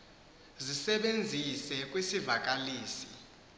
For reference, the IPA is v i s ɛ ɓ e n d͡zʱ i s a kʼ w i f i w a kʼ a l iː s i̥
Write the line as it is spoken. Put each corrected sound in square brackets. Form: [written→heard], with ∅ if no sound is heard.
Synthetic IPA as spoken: [v→z] i s ɛ ɓ e n d͡zʱ i s [a→ɛ] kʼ w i [f→s] i [w→v] a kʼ a l iː s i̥